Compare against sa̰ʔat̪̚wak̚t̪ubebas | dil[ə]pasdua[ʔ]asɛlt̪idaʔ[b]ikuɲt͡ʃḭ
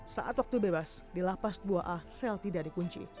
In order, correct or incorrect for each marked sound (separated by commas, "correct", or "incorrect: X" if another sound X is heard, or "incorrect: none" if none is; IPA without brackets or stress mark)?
incorrect: a, correct, incorrect: d